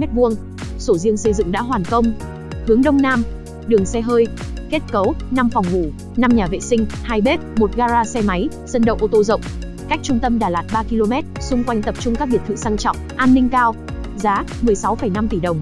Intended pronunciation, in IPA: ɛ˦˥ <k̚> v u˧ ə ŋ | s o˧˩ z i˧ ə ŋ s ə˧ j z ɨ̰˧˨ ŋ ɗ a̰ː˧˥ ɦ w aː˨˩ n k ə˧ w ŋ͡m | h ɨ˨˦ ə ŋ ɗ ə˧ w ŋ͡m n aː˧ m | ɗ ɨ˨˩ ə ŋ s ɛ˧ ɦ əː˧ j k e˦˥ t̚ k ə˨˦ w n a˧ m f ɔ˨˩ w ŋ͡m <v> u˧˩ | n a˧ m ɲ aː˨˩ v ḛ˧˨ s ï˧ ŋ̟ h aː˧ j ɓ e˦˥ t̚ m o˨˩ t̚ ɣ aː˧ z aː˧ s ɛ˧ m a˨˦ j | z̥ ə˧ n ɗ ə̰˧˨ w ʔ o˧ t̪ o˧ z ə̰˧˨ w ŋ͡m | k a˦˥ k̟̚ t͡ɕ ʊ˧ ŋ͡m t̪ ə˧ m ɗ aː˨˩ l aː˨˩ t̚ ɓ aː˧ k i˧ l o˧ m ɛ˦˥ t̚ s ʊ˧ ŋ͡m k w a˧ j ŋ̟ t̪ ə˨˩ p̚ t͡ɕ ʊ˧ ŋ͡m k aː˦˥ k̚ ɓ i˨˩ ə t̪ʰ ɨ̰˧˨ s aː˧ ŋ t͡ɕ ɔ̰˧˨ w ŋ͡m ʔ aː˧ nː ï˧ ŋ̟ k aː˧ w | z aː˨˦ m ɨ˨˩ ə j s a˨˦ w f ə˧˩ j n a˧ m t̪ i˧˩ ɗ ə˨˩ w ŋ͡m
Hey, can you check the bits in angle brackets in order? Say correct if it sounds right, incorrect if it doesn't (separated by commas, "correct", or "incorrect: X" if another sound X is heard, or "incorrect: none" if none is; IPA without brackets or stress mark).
incorrect: t̚, correct